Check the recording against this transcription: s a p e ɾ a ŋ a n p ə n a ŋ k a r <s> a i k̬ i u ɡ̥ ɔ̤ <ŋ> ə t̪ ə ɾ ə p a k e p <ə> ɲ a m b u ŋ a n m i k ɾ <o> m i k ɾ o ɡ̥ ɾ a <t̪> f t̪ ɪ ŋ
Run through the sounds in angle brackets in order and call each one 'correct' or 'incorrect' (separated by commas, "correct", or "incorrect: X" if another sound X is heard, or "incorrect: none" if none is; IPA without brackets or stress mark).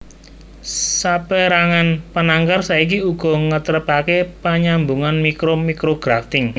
correct, correct, incorrect: a, correct, incorrect: none